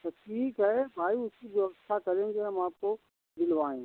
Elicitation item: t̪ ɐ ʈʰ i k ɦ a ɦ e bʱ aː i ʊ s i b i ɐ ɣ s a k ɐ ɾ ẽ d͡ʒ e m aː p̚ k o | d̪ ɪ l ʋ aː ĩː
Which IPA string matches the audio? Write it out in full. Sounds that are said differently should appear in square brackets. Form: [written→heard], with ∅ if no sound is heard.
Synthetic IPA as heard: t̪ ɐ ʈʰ [i→iː] k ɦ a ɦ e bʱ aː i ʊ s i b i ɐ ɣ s a k ɐ ɾ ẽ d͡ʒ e m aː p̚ k o | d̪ ɪ l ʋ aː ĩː